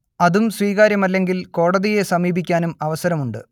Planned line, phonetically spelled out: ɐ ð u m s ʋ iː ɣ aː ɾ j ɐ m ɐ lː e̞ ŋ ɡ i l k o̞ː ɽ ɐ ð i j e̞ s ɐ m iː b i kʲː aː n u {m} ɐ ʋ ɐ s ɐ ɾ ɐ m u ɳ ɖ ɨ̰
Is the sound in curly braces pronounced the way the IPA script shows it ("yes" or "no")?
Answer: yes